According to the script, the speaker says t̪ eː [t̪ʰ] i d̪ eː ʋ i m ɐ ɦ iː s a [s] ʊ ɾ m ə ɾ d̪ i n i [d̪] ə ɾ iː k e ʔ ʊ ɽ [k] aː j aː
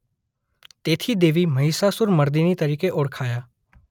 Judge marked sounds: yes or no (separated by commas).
yes, yes, no, no